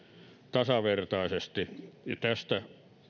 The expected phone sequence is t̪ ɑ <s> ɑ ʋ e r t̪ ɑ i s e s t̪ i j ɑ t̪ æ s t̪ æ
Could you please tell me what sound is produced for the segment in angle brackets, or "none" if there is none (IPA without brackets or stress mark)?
s